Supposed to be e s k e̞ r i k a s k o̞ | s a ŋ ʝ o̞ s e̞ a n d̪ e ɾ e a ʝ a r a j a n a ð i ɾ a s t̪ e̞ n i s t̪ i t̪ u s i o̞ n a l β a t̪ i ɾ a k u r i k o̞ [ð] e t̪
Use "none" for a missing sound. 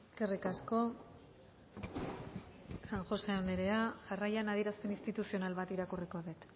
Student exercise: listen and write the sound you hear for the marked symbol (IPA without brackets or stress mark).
ð